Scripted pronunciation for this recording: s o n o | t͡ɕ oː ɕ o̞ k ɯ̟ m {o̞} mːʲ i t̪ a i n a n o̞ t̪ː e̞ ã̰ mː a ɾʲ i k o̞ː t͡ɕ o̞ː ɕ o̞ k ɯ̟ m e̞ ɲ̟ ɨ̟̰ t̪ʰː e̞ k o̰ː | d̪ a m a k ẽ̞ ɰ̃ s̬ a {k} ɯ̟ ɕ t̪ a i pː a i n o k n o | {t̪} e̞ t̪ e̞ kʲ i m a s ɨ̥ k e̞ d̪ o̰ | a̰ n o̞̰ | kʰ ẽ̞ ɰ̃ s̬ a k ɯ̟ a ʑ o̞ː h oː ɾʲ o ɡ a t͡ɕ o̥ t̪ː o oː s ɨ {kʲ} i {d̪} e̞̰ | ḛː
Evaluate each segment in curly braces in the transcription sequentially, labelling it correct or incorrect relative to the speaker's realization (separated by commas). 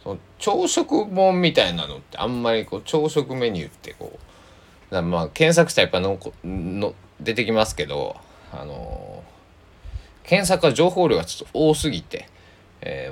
incorrect, correct, incorrect, incorrect, incorrect